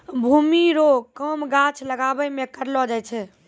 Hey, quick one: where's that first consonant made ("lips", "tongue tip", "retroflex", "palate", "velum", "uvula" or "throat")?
lips